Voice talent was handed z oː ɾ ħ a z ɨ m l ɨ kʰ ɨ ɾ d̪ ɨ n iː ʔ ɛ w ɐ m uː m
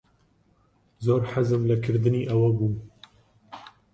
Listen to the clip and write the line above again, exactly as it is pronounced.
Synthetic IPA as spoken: z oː ɾ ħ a z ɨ m l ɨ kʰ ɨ ɾ d̪ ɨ n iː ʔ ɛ w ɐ b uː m